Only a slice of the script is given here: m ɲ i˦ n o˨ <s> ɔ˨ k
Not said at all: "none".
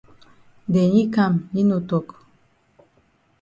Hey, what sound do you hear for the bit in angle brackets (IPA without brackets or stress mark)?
t